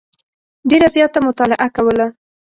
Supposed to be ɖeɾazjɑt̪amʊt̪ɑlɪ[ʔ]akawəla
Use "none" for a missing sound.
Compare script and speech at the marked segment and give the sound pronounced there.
ʔ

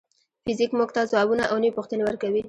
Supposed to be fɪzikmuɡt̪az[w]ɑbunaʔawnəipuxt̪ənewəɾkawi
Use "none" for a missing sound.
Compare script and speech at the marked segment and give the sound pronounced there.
w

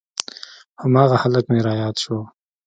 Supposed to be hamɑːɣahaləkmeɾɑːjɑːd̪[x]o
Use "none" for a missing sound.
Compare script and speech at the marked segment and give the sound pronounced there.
ʃ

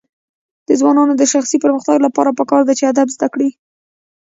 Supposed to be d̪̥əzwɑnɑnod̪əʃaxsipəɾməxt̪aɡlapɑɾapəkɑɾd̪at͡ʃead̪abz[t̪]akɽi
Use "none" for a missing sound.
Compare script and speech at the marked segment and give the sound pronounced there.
d̪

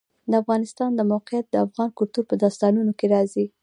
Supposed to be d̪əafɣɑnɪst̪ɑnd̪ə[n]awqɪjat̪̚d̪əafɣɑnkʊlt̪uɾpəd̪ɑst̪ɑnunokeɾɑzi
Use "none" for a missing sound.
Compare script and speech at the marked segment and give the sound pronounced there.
m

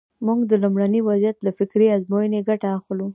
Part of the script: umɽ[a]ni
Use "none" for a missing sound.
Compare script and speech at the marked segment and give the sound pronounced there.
a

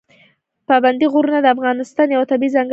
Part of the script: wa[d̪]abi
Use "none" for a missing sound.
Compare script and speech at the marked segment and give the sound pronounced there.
t̪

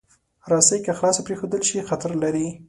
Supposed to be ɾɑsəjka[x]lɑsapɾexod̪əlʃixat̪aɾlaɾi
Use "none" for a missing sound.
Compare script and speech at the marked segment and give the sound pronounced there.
x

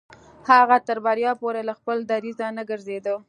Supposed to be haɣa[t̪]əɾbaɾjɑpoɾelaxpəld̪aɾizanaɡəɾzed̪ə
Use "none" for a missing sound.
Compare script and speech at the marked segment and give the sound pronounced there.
t̪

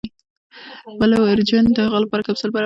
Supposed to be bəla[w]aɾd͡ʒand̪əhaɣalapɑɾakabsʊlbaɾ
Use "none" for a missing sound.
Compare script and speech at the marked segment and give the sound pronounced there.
w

